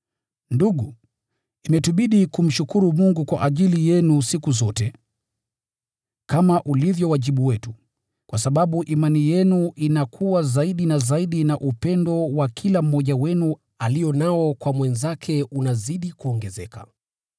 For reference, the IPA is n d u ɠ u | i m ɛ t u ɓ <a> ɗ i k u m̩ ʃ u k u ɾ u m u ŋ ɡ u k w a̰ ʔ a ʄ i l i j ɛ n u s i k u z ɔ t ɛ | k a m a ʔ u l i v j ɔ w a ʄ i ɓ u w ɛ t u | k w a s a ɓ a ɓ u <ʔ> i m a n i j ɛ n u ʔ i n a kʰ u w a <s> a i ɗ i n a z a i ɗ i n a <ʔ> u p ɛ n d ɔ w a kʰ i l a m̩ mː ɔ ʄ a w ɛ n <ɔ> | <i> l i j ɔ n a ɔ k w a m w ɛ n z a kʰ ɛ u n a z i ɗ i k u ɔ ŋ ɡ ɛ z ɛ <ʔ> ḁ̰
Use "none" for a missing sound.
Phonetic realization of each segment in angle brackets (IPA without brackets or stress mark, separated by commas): i, ʔ, z, ʔ, u, a, k